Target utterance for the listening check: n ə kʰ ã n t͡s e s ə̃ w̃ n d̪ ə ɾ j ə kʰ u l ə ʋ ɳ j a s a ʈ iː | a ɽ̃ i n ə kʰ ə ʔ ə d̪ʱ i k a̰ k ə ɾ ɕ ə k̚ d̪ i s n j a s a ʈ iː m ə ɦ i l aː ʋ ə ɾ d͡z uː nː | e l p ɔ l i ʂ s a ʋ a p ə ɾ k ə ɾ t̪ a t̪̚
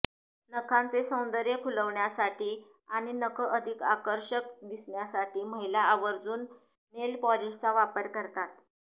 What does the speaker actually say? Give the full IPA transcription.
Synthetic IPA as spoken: n ə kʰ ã n t͡s e s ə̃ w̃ n d̪ ə ɾ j ə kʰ u l ə ʋ ɳ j a s a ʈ iː | a ɽ̃ i n ə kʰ ə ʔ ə d̪ʱ i k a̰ k ə ɾ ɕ ə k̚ d̪ i s ɳ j a s a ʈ iː m ə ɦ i l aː ʋ ə ɾ d͡z uː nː | e l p ɔ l i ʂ t͡s a ʋ a p ə ɾ k ə ɾ t̪ a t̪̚